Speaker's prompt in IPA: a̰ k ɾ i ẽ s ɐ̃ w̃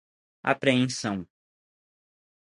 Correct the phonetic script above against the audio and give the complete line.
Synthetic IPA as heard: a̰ p ɾ e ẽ s ɐ̃ w̃